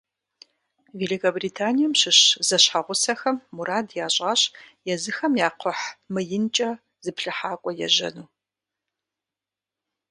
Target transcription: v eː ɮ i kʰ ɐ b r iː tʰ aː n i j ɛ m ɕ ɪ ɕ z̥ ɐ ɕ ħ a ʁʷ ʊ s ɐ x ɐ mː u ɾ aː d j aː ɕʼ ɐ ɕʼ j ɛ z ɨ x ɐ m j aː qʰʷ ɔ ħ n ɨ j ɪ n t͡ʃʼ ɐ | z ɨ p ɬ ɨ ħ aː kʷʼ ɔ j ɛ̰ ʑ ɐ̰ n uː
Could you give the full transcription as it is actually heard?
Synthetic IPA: v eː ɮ i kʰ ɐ b r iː tʰ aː n i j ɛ m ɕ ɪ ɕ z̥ ɐ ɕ ħ a ʁʷ ʊ s ɐ x ɐ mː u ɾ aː d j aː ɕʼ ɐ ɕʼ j ɛ z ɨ x ɐ m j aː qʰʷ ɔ ħ m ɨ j ɪ n t͡ʃʼ ɐ | z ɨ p ɬ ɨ ħ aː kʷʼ ɔ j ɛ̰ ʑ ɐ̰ n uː